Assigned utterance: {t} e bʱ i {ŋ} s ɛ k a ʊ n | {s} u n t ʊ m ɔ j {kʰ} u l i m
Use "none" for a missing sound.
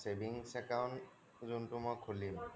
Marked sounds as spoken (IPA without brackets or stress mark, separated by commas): s, ŋ, z, kʰ